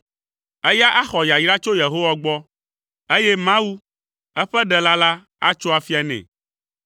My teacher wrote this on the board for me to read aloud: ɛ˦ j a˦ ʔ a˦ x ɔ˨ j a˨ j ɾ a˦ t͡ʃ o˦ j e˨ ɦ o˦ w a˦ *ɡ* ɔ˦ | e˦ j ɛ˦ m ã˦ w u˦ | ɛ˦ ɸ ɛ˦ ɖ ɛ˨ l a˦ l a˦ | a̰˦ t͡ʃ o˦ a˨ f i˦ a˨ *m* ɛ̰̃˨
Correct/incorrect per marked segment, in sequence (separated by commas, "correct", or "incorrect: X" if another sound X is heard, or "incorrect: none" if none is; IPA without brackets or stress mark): incorrect: ɡ͡b, incorrect: n